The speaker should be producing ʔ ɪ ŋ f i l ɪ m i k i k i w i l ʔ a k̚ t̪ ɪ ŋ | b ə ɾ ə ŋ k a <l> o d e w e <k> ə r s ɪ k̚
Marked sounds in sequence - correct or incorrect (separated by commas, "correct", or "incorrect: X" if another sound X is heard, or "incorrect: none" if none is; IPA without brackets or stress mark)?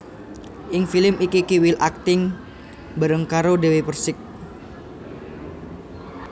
incorrect: ɾ, incorrect: p